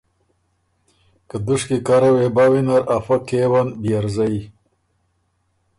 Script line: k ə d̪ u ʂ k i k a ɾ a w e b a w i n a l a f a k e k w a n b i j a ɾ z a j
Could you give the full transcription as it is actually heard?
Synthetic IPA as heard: k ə d̪ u ʂ k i k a ɾ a w e b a w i n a ɾ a f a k e w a n b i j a ɾ z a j